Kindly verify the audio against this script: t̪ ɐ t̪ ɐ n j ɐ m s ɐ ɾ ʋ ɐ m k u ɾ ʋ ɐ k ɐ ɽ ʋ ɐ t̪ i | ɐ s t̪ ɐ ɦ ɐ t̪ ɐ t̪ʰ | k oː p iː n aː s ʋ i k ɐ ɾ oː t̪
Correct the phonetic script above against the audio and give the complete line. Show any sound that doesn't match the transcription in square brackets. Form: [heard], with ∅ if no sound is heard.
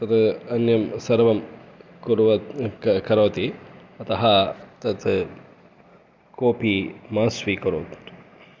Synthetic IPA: t̪ ɐ t̪ ɐ n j ɐ m s ɐ ɾ ʋ ɐ m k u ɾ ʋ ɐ k ɐ [ɾ] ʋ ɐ t̪ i | ɐ [∅] t̪ ɐ ɦ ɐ t̪ ɐ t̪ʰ | k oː p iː [m] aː s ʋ i k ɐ ɾ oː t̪